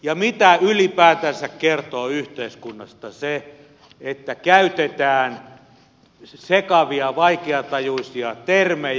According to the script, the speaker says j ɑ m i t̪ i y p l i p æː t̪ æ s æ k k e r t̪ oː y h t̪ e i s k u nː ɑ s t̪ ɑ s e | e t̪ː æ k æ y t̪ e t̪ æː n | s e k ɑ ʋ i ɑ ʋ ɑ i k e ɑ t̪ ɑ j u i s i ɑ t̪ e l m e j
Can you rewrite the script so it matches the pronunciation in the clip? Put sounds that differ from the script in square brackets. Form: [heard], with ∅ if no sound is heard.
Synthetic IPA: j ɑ m i t̪ [æ] y [∅] l i p æː t̪ æ s æ k k e r t̪ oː y h t̪ e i s k u nː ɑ s t̪ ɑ s e | e t̪ː æ k æ y t̪ e t̪ æː n | s e k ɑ ʋ i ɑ ʋ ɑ i k e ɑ t̪ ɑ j u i s i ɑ t̪ e [r] m e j